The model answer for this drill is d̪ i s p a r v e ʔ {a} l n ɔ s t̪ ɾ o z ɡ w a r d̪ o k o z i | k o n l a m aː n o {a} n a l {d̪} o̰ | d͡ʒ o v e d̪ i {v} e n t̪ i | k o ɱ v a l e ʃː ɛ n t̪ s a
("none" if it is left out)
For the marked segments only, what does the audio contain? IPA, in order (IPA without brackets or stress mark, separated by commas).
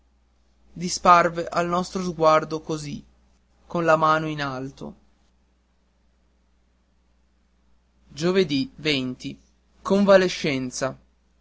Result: a, i, t̪, v